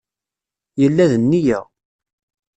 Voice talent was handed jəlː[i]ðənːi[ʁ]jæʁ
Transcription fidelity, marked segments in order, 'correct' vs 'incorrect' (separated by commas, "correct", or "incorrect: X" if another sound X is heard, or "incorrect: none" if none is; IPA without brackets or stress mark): incorrect: æ, incorrect: none